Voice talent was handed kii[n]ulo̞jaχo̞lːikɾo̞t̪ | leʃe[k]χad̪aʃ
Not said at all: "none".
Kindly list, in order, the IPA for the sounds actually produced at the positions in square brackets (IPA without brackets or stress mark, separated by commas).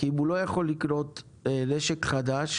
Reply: m, k